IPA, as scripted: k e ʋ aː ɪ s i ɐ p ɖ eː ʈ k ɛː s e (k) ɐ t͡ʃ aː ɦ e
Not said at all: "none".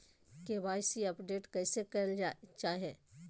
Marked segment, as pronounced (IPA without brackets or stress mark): k